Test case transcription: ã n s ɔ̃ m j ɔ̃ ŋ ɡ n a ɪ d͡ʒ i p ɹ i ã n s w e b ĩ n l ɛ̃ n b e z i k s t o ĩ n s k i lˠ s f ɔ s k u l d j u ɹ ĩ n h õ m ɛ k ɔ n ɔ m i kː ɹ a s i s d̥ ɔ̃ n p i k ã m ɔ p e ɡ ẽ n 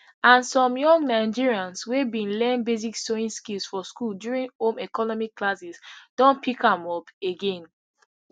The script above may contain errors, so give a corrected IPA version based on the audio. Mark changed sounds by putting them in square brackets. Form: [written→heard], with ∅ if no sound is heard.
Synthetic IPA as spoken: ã n s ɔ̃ m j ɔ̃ ŋ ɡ n a ɪ d͡ʒ i [p→∅] ɹ i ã n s w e b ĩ n l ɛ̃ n b e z i k s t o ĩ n s k i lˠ s f ɔ s k u l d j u ɹ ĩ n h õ m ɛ k ɔ n ɔ m i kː [ɹ→l] a s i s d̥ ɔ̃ n p i k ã m ɔ p e ɡ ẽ n